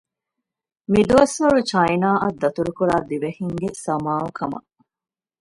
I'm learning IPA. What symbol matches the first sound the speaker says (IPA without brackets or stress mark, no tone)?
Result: m